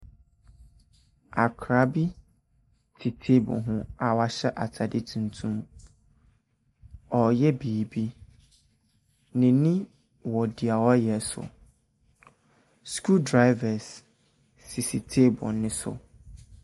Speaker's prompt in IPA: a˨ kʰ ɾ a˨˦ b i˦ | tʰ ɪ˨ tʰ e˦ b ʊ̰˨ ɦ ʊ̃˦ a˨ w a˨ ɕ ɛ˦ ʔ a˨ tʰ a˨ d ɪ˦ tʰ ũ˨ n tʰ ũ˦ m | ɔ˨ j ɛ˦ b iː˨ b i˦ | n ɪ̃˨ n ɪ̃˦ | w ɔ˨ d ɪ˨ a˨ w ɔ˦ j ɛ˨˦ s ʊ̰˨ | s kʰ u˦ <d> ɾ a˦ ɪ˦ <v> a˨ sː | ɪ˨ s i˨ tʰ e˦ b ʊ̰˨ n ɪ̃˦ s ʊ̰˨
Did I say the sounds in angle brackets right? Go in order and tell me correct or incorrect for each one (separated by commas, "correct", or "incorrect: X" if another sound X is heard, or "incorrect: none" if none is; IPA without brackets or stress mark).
correct, correct